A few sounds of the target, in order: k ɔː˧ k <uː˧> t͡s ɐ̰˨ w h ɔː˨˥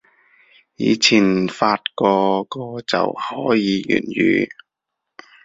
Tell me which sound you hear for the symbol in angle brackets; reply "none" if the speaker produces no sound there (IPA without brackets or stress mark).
ɔː˧